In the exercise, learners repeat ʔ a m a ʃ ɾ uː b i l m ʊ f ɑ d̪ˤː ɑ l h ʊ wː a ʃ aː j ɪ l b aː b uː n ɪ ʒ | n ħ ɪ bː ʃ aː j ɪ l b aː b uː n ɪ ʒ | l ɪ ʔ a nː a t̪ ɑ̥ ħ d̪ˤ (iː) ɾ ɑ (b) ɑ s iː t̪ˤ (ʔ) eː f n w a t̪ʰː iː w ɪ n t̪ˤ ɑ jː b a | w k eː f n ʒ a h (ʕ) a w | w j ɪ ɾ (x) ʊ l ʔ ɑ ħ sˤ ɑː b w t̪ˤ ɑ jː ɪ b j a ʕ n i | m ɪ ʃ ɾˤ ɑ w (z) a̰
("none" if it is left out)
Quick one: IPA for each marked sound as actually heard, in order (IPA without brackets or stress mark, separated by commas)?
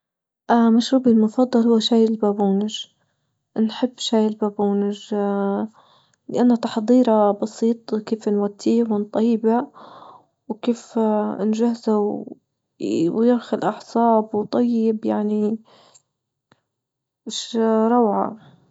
iː, b, k, z, x, ʕ